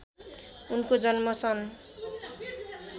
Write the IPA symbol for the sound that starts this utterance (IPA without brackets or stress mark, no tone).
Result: u